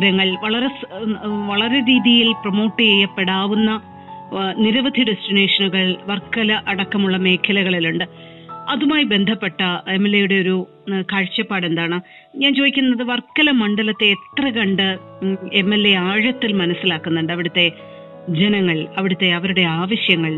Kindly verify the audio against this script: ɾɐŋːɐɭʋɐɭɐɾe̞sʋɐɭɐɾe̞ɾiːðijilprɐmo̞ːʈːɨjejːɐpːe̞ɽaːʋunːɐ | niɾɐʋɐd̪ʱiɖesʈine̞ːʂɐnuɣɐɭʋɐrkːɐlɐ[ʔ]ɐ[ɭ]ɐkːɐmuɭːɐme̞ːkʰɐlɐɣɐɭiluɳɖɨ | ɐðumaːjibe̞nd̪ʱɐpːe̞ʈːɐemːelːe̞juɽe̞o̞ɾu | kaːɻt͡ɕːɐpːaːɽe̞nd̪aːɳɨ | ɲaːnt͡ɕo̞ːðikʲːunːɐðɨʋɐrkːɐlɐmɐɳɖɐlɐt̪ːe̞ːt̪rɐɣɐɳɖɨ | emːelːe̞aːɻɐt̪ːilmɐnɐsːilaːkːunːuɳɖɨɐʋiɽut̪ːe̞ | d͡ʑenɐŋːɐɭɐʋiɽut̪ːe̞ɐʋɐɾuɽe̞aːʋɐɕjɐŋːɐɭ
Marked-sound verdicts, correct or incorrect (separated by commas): correct, incorrect